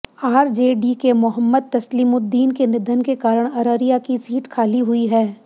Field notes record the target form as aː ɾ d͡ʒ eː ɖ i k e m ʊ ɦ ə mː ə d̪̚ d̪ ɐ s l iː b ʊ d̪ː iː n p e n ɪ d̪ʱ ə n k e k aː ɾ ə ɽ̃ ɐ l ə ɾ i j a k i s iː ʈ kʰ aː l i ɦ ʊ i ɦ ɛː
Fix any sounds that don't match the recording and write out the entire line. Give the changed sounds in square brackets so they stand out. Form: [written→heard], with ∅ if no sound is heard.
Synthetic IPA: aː ɾ d͡ʒ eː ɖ i k e m ʊ ɦ ə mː ə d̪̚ [d̪→t̪] ɐ s l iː [b→m] ʊ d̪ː iː n [p→k] e n ɪ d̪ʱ ə n k e k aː ɾ ə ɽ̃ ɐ [l→ɾ] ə ɾ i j a k i s iː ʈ kʰ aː l i ɦ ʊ i ɦ ɛː